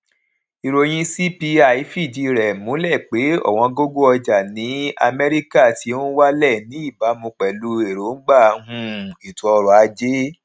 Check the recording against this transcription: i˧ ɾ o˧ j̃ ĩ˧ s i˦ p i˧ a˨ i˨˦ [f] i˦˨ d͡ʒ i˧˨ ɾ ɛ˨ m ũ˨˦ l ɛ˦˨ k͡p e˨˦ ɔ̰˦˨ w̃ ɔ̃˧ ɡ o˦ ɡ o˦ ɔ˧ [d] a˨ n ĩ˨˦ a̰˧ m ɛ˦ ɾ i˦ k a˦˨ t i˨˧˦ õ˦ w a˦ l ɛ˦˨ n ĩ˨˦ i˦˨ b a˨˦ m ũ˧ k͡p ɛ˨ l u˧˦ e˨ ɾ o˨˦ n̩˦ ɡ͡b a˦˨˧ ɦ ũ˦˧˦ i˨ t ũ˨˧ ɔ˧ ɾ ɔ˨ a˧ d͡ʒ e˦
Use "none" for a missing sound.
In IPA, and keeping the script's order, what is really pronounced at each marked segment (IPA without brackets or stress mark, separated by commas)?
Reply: f, d͡ʒ